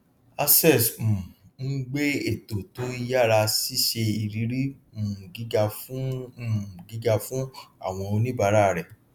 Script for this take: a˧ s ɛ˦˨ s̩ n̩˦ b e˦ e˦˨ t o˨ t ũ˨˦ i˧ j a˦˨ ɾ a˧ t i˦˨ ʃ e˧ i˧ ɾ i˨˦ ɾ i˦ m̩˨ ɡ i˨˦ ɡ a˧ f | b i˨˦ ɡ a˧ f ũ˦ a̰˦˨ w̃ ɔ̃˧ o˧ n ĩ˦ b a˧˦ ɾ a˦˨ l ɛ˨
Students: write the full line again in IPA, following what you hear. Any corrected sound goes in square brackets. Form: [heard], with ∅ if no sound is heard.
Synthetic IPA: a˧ s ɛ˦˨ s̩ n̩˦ [ɡ͡b] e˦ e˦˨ t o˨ t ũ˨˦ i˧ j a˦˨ ɾ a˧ [s] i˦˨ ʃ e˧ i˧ ɾ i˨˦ ɾ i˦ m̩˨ ɡ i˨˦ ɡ a˧ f | [ɡ] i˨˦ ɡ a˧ f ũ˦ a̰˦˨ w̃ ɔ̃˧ o˧ n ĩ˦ b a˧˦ ɾ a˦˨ [ɾ] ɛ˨